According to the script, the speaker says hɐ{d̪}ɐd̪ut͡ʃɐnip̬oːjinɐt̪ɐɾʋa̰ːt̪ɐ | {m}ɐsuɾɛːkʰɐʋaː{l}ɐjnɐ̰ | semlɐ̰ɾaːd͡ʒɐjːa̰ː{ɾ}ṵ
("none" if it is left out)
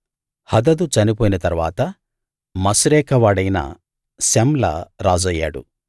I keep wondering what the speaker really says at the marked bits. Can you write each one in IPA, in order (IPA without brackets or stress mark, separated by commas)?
d̪, m, ɽ, ɽ